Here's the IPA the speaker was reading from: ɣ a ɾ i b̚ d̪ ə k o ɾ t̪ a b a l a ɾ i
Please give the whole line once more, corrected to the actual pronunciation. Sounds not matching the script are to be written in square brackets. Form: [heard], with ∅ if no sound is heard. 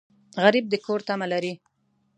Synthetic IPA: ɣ a ɾ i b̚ d̪ ə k o ɾ t̪ a [m] a l a ɾ i